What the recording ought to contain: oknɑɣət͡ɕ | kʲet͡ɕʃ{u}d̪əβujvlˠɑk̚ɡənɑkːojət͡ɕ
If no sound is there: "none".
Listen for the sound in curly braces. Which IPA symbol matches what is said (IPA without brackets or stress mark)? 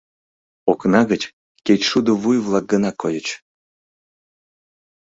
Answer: u